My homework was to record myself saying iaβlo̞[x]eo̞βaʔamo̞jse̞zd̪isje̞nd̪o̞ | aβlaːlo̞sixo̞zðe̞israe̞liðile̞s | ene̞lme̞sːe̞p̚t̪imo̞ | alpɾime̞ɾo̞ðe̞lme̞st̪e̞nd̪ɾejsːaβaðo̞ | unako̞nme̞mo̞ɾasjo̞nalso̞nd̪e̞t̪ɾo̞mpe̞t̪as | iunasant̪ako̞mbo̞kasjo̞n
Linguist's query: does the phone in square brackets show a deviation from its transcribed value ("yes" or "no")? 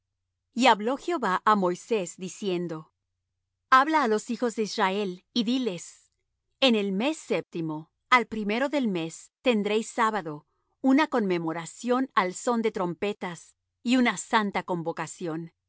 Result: no